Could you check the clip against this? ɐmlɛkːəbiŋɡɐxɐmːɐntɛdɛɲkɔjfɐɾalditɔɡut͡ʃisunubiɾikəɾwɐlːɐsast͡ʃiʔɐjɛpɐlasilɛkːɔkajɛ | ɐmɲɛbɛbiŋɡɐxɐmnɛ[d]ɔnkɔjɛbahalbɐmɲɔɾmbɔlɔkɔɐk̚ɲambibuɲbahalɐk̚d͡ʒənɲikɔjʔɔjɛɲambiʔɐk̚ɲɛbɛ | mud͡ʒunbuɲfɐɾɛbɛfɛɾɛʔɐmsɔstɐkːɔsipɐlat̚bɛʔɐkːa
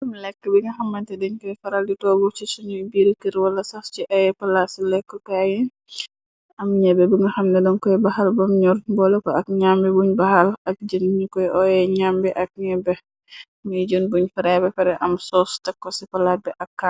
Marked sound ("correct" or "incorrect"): correct